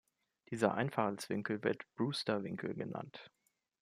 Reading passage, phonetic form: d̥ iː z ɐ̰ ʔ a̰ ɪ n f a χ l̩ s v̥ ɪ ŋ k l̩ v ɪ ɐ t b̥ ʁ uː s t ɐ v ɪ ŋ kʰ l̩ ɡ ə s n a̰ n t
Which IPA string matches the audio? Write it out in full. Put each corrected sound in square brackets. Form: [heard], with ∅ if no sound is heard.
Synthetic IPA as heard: d̥ iː z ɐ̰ ʔ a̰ ɪ n f a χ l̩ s v̥ ɪ ŋ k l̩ v ɪ ɐ t b̥ ʁ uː s t ɐ v ɪ ŋ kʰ l̩ ɡ ə [∅] n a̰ n t